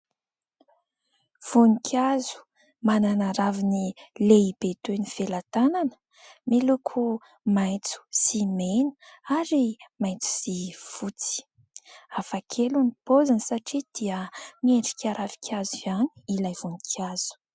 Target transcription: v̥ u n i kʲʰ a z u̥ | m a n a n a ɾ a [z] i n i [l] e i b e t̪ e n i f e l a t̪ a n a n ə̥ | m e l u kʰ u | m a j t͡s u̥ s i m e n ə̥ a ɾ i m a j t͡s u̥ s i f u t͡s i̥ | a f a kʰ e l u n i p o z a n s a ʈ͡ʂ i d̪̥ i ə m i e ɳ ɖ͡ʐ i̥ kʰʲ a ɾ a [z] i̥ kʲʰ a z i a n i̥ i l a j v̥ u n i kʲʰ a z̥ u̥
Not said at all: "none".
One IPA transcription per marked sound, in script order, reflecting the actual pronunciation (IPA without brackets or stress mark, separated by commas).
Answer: v, l, v